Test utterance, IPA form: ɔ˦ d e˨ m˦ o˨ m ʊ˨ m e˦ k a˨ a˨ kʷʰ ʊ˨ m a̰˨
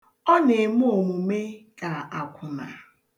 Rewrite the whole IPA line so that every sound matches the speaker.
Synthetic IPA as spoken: ɔ˦ n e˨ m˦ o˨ m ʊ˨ m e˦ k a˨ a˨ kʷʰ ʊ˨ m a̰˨